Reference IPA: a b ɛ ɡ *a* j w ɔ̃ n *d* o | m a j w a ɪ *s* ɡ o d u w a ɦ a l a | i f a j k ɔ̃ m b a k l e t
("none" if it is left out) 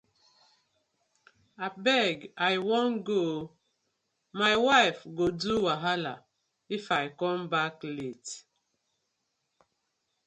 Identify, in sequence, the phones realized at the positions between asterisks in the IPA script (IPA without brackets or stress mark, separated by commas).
a, ɡ, f